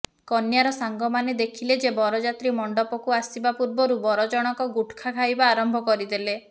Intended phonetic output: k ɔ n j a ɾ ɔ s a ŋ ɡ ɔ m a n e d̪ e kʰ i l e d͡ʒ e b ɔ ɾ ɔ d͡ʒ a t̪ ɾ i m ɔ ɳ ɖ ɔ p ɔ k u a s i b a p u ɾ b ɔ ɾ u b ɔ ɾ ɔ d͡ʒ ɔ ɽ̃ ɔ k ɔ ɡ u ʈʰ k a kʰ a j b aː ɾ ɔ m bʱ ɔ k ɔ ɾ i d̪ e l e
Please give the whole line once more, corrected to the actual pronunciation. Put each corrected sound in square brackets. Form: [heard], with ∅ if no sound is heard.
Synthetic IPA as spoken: k ɔ n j a ɾ ɔ s a ŋ ɡ ɔ m a n e d̪ e kʰ i l e d͡ʒ e b ɔ ɾ ɔ d͡ʒ a t̪ ɾ i m ɔ ɳ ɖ ɔ p ɔ k u a s i b a p u ɾ b ɔ ɾ u b ɔ ɾ ɔ d͡ʒ ɔ ɽ̃ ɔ k ɔ ɡ u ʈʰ [kʰ] a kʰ a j b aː ɾ ɔ m bʱ ɔ k ɔ ɾ i d̪ e l e

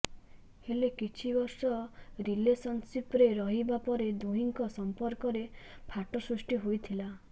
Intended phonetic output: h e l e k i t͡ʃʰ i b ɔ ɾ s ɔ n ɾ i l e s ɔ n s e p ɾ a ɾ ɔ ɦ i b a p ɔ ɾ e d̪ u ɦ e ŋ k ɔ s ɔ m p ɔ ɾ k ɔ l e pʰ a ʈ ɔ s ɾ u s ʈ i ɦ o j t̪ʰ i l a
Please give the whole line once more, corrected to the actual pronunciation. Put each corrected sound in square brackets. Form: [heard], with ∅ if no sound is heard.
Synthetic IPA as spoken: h e l e k i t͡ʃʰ i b ɔ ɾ s ɔ [∅] ɾ i l e s ɔ n s [i] p ɾ [e] ɾ ɔ ɦ i b a p ɔ ɾ e d̪ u ɦ [i] ŋ k ɔ s ɔ m p ɔ ɾ k ɔ [ɾ] e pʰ a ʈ ɔ s ɾ u s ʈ i ɦ o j t̪ʰ i l a

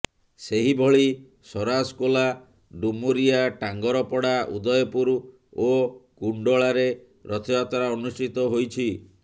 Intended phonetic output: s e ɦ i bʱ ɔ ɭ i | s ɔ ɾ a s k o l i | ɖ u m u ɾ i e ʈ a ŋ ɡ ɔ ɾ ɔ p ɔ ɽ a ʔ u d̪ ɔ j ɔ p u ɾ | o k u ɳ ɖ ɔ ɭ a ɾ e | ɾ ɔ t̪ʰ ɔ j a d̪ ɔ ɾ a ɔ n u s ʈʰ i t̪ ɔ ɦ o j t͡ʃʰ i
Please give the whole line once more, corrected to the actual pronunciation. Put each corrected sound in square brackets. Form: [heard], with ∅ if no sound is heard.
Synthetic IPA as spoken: s e ɦ i bʱ ɔ ɭ i | s ɔ ɾ a s k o l [a] | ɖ u m u ɾ i [a] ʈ a ŋ ɡ ɔ ɾ ɔ p ɔ ɽ a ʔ u d̪ ɔ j ɔ p u ɾ | o k u ɳ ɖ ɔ ɭ a ɾ e | ɾ ɔ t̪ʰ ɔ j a [t̪] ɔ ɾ a ɔ n u s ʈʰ i t̪ ɔ ɦ o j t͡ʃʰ i

